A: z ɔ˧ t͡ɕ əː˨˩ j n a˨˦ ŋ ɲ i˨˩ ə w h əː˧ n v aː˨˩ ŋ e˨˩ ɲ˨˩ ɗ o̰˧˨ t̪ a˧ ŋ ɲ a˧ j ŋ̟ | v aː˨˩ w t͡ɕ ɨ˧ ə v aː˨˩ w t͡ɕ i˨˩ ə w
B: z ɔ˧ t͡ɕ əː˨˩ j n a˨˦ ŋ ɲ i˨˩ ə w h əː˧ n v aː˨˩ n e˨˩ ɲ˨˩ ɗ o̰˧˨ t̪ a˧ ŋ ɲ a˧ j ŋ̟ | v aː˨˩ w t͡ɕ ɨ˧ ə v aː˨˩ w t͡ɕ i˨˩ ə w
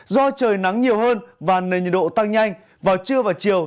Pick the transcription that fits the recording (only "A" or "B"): B